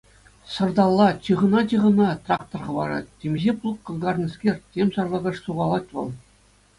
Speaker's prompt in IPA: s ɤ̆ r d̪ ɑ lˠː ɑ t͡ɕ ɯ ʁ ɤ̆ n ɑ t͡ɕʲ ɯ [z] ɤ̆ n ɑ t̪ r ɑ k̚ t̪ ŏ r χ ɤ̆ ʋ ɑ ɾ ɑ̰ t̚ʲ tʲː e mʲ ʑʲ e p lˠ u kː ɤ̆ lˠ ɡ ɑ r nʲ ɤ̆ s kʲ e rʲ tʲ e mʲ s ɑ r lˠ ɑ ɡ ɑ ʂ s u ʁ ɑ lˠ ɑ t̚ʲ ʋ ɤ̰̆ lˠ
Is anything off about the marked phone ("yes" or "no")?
yes